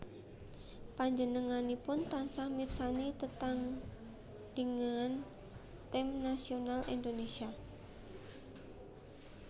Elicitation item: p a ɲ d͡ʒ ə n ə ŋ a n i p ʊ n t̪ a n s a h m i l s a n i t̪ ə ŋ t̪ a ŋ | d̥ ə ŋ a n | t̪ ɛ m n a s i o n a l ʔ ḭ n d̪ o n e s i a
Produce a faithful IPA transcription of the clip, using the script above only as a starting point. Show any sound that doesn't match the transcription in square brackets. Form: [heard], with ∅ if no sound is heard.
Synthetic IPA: p a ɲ d͡ʒ ə n ə ŋ a n i p ʊ n t̪ a n s a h m i [r] s a n i t̪ ə [∅] t̪ a ŋ | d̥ ə ŋ a n | t̪ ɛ m n a s i o n a l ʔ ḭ n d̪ o n e s i a

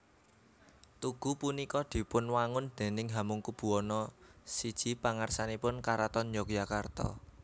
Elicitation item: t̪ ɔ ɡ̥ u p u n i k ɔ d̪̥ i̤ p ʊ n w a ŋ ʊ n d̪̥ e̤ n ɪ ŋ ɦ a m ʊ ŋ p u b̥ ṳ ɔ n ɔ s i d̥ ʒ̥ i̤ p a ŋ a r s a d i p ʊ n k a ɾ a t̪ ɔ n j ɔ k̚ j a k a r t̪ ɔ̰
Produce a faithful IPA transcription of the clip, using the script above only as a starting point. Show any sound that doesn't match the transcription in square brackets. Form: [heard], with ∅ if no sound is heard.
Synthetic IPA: t̪ [u] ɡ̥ u p u n i k ɔ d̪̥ i̤ p ʊ n w a ŋ ʊ n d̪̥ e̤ n ɪ ŋ ɦ a m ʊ ŋ [k] u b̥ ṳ ɔ n ɔ s i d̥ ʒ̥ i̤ p a ŋ a r s a [n] i p ʊ n k a ɾ a t̪ ɔ n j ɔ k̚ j a k a r t̪ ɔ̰

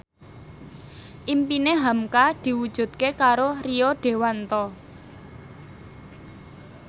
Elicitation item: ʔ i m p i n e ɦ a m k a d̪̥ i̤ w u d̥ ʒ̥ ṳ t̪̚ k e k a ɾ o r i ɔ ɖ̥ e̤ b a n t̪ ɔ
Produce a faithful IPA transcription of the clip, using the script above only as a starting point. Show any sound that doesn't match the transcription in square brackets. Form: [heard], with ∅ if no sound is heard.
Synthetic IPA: ʔ i m p i n e ɦ a m k a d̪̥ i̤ w u d̥ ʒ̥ ṳ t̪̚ k e k a ɾ o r i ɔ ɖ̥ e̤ [w] a n t̪ ɔ

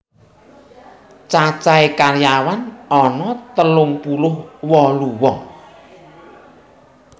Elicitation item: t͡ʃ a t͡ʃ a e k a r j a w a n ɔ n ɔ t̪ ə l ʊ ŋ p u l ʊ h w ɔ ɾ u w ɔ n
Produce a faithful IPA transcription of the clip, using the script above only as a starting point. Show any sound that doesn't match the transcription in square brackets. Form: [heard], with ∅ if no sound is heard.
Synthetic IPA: t͡ʃ a t͡ʃ a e k a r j a w a n ɔ n ɔ t̪ ə l ʊ ŋ p u l ʊ h w ɔ [l] u w ɔ [ŋ]

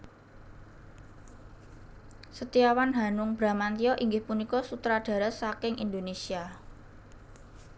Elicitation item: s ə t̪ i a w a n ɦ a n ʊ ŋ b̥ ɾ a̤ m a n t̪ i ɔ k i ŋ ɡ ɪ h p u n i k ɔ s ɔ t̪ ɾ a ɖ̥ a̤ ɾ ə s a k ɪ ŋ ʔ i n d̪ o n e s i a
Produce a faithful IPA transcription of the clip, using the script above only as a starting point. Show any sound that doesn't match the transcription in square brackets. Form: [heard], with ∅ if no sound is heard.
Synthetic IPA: s ə t̪ i a w a n ɦ a n ʊ ŋ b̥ ɾ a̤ m a n t̪ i ɔ [ʔ] i ŋ ɡ ɪ h p u n i k ɔ s [u] t̪ ɾ a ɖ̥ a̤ ɾ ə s a k ɪ ŋ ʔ i n d̪ o n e s i a

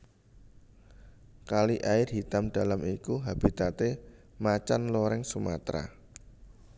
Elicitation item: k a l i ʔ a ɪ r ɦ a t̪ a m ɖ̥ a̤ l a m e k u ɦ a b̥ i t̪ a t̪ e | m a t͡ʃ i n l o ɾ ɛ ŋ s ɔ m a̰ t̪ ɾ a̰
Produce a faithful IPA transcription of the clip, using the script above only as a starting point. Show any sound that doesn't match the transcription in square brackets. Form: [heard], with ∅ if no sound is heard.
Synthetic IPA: k a l i ʔ a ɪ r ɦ [i] t̪ a m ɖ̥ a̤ l a m [i] k u ɦ a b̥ i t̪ a t̪ e | m a t͡ʃ [a] n l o ɾ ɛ ŋ s [u] m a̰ t̪ ɾ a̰

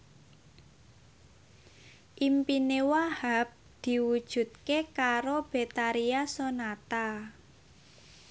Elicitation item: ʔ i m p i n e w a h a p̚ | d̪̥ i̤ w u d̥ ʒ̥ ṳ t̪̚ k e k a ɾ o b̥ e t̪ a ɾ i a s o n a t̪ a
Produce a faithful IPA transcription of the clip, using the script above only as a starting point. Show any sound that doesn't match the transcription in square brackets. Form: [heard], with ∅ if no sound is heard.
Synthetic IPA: ʔ i m p i n e w a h a p̚ | d̪̥ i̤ w u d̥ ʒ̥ ṳ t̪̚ k e k a ɾ o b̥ e t̪ a ɾ i a s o n a t̪ a

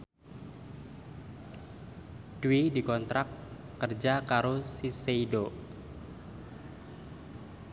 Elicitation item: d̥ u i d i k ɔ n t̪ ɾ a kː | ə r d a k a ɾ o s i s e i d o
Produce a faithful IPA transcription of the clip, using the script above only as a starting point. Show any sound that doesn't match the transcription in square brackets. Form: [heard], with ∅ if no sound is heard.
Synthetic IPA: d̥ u i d i k ɔ n t̪ ɾ a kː | ə r [d͡ʒ] a k a ɾ o s i s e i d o

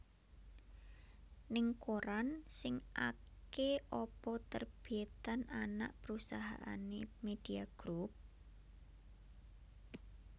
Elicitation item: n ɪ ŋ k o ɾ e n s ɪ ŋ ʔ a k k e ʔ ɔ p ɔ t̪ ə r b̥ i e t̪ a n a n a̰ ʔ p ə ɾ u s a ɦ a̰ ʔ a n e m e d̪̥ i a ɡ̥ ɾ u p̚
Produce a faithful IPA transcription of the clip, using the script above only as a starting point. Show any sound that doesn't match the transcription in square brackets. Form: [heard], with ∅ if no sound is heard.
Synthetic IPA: n ɪ ŋ k o ɾ [a] n s ɪ ŋ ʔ a k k e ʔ ɔ p ɔ t̪ ə r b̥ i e t̪ a n a n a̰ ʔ p ə ɾ u s a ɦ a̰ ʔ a n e m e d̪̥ i a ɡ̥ ɾ u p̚

